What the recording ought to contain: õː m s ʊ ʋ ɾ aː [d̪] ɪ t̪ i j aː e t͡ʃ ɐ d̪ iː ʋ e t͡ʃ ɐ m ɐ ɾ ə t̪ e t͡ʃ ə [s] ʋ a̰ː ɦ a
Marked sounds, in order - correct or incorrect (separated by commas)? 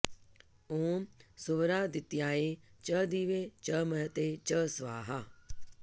correct, correct